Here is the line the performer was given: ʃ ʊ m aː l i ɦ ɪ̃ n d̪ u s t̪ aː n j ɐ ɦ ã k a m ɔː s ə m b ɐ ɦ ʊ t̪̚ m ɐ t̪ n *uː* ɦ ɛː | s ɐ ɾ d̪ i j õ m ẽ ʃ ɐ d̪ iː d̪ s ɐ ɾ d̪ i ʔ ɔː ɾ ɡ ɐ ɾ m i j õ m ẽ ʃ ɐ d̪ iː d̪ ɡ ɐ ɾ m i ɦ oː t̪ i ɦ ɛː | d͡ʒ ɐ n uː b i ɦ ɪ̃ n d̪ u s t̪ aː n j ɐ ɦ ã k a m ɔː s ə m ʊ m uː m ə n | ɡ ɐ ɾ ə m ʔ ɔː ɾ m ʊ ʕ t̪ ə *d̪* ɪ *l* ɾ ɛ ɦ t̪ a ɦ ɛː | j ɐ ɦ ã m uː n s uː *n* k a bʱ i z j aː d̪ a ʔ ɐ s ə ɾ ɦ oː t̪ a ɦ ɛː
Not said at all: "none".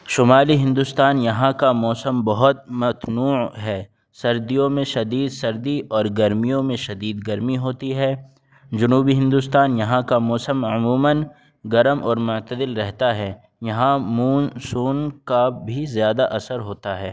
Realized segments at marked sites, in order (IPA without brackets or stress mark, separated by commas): uː, d̪, l, n